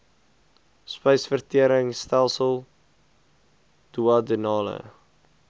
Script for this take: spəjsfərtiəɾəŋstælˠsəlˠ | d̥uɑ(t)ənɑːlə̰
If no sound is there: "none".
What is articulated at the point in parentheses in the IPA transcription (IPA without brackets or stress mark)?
d